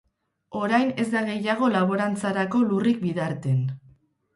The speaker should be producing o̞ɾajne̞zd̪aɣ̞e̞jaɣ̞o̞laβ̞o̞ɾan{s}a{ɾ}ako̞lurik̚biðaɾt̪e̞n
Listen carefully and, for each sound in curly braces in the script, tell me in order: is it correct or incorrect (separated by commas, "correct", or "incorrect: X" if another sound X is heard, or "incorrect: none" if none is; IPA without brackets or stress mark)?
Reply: incorrect: t͡s, correct